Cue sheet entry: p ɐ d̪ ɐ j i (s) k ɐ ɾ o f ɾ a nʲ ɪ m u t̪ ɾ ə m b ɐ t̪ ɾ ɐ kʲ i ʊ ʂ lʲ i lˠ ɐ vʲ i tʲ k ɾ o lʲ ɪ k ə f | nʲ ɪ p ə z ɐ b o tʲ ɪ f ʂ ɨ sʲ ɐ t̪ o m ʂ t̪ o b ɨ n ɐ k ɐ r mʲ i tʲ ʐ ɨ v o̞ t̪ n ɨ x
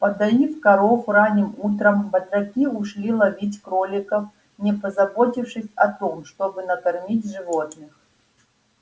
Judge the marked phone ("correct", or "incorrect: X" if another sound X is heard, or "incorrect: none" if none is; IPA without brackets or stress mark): incorrect: f